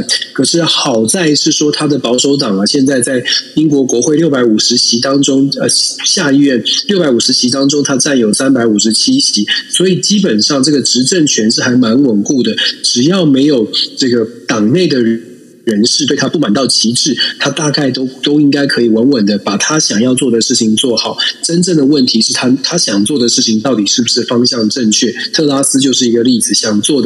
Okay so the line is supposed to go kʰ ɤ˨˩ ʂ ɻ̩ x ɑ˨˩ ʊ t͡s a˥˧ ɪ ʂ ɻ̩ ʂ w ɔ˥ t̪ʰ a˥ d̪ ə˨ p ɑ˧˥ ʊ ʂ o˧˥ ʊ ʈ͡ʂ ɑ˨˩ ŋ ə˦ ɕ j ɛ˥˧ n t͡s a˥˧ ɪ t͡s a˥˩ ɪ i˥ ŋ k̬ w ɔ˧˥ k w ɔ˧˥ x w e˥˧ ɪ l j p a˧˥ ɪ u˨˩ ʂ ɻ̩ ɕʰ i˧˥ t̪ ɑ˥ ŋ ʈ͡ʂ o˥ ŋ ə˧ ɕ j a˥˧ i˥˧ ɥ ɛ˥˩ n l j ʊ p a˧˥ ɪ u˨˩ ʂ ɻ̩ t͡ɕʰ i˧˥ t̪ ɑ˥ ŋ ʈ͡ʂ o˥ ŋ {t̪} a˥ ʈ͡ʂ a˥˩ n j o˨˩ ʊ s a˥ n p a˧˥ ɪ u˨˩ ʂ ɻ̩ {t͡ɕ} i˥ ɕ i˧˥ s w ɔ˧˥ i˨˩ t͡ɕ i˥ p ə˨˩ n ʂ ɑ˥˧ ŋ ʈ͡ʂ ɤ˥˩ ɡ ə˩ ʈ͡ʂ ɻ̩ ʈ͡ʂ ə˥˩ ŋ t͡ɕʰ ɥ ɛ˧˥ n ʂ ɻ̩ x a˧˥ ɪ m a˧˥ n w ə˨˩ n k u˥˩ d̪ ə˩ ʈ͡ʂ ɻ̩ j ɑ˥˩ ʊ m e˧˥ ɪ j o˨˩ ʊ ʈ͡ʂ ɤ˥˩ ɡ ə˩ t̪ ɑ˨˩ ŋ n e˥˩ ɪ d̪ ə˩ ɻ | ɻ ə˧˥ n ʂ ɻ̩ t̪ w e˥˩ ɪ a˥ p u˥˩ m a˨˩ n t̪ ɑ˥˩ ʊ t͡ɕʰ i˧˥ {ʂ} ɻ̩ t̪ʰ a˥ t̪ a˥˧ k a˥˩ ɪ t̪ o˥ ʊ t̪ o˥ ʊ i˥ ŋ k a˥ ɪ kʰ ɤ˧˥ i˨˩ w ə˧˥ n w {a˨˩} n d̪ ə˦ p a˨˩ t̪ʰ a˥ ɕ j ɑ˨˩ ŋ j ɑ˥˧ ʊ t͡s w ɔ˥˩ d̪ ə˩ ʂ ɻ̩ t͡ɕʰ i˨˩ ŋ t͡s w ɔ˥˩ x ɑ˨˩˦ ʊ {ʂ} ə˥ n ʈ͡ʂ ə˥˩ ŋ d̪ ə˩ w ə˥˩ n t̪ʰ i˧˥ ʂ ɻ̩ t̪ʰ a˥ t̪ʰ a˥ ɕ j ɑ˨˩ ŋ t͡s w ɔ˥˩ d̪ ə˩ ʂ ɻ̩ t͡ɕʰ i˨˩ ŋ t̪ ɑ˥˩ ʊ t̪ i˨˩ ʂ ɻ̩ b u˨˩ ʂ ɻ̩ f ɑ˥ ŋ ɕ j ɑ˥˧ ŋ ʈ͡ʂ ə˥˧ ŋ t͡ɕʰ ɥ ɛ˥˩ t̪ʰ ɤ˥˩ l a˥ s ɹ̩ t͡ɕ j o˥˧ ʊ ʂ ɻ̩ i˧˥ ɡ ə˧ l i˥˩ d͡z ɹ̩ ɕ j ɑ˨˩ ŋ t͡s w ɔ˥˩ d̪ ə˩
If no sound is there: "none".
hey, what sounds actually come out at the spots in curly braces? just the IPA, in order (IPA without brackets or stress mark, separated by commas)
t̪ʰ, t͡ɕʰ, ʈ͡ʂ, ə˨˩, ʈ͡ʂ